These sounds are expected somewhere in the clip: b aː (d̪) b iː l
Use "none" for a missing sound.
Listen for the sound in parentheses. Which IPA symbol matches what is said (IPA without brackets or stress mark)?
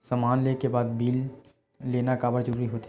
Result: d̪